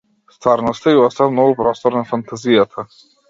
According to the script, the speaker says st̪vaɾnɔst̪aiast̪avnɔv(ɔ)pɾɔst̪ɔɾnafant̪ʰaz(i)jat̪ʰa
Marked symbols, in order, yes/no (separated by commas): no, yes